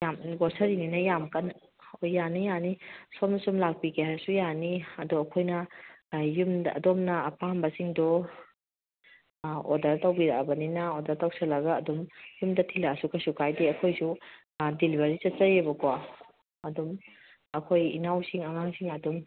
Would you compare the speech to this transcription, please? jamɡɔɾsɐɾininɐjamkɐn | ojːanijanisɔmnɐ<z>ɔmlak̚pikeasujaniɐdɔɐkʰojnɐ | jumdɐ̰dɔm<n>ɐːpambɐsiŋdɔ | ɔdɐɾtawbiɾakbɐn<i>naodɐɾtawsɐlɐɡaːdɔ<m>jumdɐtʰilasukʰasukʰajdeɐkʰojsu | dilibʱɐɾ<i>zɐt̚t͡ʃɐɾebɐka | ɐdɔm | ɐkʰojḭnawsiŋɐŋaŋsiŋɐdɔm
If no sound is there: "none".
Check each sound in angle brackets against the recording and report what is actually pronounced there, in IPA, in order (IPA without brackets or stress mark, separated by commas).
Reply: s, n, i, m, i